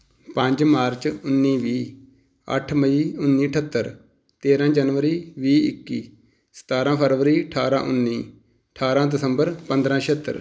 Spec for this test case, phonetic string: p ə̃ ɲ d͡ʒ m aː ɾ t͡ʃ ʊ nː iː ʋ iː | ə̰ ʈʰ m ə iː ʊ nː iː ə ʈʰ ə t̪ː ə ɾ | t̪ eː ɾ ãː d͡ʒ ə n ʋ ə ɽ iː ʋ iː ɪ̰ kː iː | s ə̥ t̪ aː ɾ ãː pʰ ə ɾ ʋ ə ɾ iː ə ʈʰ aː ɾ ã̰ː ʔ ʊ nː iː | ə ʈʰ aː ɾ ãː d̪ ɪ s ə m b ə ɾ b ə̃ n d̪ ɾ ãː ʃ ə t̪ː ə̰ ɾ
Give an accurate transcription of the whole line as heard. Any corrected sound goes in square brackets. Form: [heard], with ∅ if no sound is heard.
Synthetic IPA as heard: p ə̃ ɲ d͡ʒ m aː ɾ t͡ʃ ʊ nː iː ʋ iː | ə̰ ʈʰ m ə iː ʊ nː iː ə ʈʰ ə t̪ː ə ɾ | t̪ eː ɾ ãː d͡ʒ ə n ʋ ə [ɾ] iː ʋ iː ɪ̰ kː iː | s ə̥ t̪ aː ɾ ãː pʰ ə ɾ ʋ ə ɾ iː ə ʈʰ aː ɾ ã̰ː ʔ ʊ nː iː | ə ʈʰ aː ɾ ãː d̪ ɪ s ə m b ə ɾ [p] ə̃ n d̪ ɾ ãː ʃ ə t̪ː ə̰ ɾ

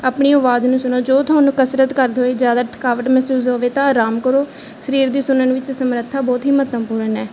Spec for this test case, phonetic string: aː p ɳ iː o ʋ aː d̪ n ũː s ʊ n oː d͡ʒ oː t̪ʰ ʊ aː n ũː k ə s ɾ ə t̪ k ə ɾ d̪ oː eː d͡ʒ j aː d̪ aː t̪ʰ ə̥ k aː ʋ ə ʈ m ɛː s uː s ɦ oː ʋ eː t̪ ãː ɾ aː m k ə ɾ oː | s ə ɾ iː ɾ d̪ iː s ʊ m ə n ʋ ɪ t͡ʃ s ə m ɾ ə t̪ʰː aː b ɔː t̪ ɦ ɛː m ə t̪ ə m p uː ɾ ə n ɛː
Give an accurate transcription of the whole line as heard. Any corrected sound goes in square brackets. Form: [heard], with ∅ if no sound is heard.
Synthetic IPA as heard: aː p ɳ iː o ʋ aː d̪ n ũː s ʊ n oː d͡ʒ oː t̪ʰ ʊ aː n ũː k ə s ɾ ə t̪ k ə ɾ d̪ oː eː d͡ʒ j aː d̪ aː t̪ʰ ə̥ k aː ʋ ə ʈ m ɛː s uː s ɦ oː ʋ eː t̪ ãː ɾ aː m k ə ɾ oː | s ə ɾ iː ɾ d̪ iː s ʊ [n] ə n ʋ ɪ t͡ʃ s ə m ɾ ə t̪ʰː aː b ɔː t̪ ɦ [iː] m ə t̪ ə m p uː ɾ ə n ɛː

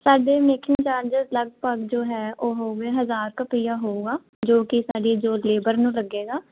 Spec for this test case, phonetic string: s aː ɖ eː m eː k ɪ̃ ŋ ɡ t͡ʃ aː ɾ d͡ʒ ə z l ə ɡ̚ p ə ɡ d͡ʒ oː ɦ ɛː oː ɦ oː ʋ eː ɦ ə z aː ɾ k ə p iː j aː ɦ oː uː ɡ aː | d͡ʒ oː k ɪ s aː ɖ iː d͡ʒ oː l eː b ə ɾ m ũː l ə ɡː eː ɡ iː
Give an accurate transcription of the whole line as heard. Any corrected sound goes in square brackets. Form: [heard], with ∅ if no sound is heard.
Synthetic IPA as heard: s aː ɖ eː m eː k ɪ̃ ŋ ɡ t͡ʃ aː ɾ d͡ʒ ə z l ə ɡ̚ p ə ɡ d͡ʒ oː ɦ ɛː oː ɦ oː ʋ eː ɦ ə z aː ɾ k ə p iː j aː ɦ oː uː ɡ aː | d͡ʒ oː k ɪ s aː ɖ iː d͡ʒ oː l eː b ə ɾ [n] ũː l ə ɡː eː ɡ [aː]

